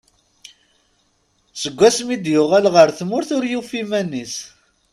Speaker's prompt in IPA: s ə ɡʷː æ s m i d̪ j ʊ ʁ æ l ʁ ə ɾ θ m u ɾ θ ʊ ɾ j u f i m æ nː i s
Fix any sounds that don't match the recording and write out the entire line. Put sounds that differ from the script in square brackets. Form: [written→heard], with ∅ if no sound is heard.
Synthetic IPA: s ə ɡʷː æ s m i d̪ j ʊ ʁ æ l ʁ ə ɾ θ m [u→ʊ] ɾ θ ʊ ɾ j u f i m æ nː i s

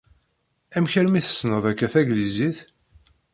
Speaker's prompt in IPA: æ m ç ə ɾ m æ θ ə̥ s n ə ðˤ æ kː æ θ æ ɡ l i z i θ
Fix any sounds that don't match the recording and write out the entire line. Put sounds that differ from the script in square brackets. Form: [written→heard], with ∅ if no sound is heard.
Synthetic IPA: æ m ç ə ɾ m [æ→i] θ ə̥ s n ə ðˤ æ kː æ θ æ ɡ l i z i θ

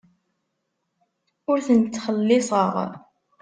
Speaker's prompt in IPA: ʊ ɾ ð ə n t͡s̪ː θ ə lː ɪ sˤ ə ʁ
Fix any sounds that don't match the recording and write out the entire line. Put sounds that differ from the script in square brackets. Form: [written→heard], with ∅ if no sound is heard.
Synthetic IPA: ʊ ɾ [ð→θ] ə n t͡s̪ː [θ→χ] ə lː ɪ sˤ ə ʁ

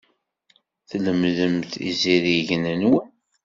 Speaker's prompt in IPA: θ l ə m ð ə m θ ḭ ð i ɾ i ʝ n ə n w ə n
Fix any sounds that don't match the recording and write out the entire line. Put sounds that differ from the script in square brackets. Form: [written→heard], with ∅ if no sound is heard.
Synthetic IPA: θ l ə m ð ə m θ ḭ [ð→z] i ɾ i ʝ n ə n w ə n

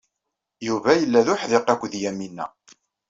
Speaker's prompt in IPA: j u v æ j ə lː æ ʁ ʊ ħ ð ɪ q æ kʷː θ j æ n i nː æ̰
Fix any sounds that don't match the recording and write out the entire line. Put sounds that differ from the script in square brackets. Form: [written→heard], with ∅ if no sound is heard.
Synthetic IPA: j u v æ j ə lː æ [ʁ→ð] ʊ ħ ð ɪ q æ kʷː [θ→ð] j æ [n→m] i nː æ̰

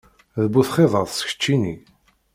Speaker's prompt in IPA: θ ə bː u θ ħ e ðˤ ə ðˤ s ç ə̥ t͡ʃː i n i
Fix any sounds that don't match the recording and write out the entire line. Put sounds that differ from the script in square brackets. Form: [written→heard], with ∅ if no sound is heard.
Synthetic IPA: [θ→ð] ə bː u θ [ħ→χ] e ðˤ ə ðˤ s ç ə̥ t͡ʃː i n i

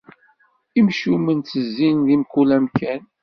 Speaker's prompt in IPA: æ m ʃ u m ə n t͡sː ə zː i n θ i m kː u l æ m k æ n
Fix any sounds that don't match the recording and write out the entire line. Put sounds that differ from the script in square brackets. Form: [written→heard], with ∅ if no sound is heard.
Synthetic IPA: [æ→i] m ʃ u m ə n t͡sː ə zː i n [θ→ð] i m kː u l æ m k æ n

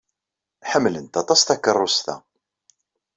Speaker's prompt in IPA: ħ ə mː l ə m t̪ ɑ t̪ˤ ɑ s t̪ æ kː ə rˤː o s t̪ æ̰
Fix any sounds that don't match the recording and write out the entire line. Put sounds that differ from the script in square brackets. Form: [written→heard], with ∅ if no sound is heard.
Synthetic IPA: ħ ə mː l ə [m→n] t̪ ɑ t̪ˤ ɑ s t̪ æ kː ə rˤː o s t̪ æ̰

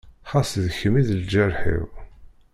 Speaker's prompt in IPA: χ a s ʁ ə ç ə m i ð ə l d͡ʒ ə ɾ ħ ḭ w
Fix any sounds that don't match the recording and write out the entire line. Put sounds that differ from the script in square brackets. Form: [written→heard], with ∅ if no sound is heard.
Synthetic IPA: χ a s [ʁ→ð] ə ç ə m i ð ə l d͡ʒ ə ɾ ħ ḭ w

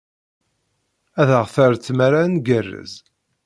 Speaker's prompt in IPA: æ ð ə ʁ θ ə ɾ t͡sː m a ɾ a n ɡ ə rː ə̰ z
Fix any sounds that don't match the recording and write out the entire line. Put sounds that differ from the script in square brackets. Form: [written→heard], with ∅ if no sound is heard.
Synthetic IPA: æ ð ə ʁ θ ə ɾ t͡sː m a ɾ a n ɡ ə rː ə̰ z

